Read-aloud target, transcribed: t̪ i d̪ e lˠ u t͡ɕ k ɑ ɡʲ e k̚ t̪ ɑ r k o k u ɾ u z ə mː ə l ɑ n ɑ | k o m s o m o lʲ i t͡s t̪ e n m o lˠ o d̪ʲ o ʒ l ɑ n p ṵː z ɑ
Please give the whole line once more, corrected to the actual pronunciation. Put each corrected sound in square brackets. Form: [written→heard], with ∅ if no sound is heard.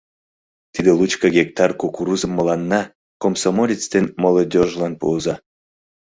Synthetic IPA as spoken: t̪ i d̪ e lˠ u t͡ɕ k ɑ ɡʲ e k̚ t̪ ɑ r k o k u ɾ u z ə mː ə l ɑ [n→nː] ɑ | k o m s o m o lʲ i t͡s t̪ e n m o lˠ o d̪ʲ o ʒ l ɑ n p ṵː z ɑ